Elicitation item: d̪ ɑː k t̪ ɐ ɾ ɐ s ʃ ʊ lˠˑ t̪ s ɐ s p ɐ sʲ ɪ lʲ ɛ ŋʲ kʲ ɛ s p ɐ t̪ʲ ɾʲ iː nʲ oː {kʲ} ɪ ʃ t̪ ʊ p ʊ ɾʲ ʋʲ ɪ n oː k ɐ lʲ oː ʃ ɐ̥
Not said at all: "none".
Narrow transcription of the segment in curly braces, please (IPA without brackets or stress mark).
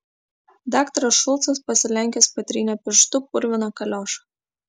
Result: pʲ